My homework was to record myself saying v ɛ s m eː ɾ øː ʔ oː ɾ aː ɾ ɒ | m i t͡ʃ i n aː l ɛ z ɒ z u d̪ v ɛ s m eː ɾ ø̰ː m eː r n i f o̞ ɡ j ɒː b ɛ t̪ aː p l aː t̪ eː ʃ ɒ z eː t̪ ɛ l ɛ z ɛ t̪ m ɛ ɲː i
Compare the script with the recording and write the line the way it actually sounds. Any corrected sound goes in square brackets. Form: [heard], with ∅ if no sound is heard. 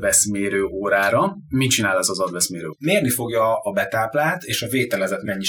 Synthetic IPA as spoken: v ɛ s m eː ɾ øː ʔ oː ɾ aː ɾ ɒ | m i t͡ʃ i n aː l ɛ z ɒ z [ɒ] d̪ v ɛ s m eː ɾ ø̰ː m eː r n i f o̞ ɡ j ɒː b ɛ t̪ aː p l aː t̪ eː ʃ ɒ [v] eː t̪ ɛ l ɛ z ɛ t̪ m ɛ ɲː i